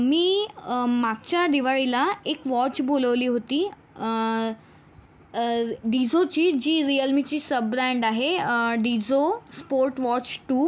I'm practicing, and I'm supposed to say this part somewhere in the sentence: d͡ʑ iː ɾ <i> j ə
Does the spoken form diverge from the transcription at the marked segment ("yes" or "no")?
no